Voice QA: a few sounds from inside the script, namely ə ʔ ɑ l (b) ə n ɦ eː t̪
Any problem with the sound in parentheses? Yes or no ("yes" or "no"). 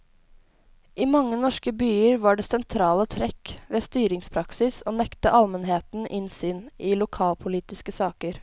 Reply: yes